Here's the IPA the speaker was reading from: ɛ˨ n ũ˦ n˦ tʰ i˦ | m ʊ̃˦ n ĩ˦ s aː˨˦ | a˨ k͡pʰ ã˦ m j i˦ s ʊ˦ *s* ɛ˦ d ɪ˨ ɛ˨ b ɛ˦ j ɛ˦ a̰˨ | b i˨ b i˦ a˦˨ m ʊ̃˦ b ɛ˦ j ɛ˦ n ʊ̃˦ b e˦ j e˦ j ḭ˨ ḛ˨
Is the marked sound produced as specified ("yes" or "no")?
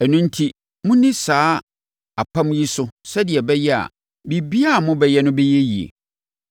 yes